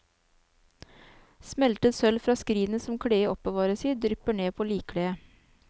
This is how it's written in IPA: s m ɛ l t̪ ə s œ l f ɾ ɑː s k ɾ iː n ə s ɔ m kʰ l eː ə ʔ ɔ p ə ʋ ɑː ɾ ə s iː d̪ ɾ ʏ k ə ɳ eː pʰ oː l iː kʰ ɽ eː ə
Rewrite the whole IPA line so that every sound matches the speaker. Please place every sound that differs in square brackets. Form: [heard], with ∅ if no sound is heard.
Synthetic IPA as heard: s m ɛ l t̪ ə s œ l f ɾ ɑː s k ɾ iː n ə s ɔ m kʰ [ɽ] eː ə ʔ ɔ p ə ʋ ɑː ɾ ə s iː d̪ ɾ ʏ [p] ə ɳ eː pʰ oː l iː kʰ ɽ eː ə